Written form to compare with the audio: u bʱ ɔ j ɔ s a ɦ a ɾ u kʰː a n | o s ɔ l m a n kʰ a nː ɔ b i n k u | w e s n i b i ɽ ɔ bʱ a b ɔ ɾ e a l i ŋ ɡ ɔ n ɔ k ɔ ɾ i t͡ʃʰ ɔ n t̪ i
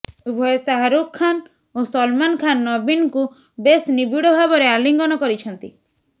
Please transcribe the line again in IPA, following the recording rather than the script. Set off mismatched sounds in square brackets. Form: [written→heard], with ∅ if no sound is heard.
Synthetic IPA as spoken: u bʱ ɔ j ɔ s a ɦ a ɾ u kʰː a n | o s ɔ l m a n kʰ a nː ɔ b i n k u | [w→b] e s n i b i ɽ ɔ bʱ a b ɔ ɾ e a l i ŋ ɡ ɔ n ɔ k ɔ ɾ i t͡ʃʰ ɔ n t̪ i